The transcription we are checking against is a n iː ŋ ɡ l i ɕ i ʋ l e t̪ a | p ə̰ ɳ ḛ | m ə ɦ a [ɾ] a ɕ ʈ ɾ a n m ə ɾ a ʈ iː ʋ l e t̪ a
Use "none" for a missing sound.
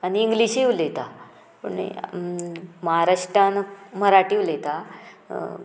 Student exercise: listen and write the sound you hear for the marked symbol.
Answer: ɾ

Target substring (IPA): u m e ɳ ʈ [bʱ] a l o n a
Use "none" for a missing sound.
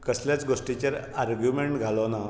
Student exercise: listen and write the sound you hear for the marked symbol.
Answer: ɡʱ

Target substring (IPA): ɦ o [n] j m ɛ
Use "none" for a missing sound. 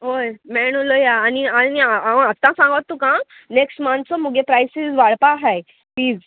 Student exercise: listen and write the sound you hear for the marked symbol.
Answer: none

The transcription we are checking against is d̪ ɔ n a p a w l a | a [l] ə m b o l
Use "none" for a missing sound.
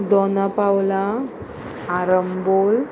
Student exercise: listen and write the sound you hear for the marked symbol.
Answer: ɾ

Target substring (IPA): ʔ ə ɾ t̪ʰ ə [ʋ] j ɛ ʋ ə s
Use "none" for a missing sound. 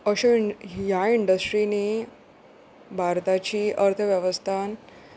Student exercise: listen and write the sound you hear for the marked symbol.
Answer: ʋ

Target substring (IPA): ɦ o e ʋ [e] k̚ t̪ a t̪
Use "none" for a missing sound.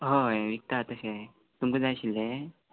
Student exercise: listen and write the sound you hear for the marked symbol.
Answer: i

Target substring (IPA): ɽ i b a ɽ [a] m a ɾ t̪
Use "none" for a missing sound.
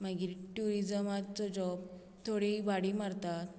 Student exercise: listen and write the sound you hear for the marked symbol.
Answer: i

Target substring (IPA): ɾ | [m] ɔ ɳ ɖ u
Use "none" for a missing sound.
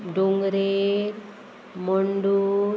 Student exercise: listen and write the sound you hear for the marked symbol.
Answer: m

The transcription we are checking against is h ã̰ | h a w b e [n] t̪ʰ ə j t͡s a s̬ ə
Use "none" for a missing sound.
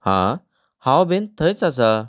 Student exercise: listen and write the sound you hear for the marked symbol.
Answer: n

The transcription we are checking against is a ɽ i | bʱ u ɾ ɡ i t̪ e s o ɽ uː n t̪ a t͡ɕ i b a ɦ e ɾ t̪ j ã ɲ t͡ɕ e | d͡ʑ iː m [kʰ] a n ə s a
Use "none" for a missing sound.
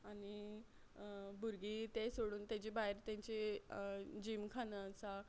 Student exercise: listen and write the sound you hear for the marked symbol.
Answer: kʰ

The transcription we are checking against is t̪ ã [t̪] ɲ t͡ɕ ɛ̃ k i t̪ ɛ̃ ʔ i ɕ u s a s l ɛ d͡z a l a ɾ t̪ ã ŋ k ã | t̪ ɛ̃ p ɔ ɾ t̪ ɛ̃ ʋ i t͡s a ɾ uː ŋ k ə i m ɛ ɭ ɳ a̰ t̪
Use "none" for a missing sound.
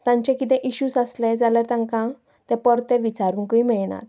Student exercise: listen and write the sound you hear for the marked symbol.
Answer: none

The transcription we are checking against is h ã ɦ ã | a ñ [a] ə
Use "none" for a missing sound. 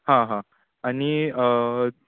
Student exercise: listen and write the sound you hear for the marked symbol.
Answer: i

